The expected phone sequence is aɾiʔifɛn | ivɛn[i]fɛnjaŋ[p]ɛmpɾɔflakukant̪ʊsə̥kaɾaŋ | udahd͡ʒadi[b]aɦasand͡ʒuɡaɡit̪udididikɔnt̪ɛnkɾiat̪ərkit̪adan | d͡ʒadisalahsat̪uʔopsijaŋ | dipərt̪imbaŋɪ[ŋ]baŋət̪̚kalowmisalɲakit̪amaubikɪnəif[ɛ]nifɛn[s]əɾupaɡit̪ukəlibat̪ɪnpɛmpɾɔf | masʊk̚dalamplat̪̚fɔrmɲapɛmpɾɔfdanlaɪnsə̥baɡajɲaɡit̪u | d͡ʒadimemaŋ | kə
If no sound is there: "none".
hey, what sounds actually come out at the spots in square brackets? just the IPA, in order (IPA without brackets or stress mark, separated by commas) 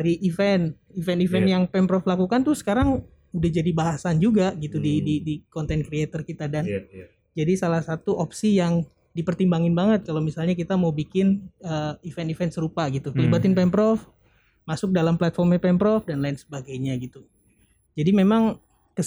i, p, b, n, ɛ, s